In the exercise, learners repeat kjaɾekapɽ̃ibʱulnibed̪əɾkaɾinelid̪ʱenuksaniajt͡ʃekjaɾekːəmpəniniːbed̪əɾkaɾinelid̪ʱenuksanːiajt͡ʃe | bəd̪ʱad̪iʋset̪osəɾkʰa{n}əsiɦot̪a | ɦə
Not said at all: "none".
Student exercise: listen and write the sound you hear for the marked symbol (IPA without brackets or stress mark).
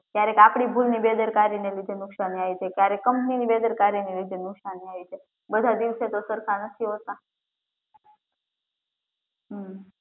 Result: n